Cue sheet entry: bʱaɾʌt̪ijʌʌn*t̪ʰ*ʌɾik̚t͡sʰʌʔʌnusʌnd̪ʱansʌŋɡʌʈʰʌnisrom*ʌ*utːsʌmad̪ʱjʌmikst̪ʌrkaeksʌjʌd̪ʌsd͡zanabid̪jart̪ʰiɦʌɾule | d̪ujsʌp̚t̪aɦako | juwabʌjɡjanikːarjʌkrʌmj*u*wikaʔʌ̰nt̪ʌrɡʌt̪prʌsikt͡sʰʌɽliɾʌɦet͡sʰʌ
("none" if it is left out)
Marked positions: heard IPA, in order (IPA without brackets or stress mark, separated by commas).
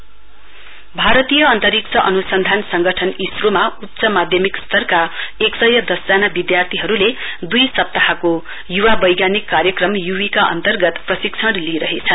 t̪, a, u